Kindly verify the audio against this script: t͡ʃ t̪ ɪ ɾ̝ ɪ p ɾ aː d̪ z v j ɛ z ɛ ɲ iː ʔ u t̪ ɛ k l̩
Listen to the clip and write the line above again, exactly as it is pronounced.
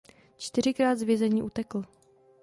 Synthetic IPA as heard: t͡ʃ t̪ ɪ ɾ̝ ɪ k ɾ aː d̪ z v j ɛ z ɛ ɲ iː ʔ u t̪ ɛ k l̩